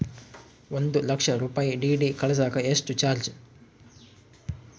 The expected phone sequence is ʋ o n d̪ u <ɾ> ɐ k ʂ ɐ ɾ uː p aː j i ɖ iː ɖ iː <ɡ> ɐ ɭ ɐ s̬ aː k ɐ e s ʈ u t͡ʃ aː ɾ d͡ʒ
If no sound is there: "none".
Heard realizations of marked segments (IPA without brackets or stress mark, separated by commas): l, k